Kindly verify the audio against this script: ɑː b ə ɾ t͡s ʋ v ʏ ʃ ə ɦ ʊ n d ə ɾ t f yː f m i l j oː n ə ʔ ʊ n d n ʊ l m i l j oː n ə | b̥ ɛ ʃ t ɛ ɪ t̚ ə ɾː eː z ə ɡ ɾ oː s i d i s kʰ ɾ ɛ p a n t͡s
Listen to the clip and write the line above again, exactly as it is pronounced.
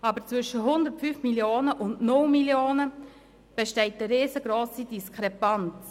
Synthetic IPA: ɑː b ə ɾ t͡s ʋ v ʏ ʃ ə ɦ ʊ n d ə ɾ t f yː f m i l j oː n ə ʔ ʊ n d n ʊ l m i l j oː n ə | b̥ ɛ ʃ t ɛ ɪ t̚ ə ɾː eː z ə ɡ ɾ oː s i d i s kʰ ɾ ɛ p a n t͡s